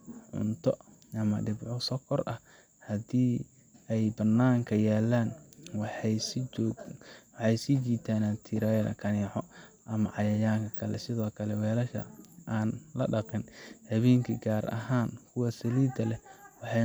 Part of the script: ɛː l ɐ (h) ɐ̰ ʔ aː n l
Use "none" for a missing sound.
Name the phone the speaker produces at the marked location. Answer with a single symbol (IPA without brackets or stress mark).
ʃ